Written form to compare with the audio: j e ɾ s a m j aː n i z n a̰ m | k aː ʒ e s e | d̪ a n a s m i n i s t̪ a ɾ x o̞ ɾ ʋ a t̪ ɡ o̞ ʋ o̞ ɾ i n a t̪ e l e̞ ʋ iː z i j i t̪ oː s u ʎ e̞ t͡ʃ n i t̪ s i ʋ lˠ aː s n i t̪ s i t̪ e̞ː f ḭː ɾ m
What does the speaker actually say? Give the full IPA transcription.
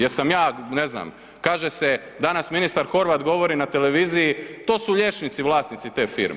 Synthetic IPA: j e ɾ s a m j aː n e z n a̰ m | k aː ʒ e s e | d̪ a n a s m i n i s t̪ a ɾ x o̞ ɾ ʋ a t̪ ɡ o̞ ʋ o̞ ɾ i n a t̪ e l e̞ ʋ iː z i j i t̪ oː s u ʎ e̞ t͡ʃ n i t̪ s i ʋ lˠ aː s n i t̪ s i t̪ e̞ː f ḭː ɾ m